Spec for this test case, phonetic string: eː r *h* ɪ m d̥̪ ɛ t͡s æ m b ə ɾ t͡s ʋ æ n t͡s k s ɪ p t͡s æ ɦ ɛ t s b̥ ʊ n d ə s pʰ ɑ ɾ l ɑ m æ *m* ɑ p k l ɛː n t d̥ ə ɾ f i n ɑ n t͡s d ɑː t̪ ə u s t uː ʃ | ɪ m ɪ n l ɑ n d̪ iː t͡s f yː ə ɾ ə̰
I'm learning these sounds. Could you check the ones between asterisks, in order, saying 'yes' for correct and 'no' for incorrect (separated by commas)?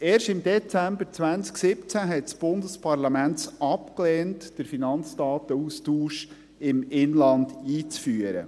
no, no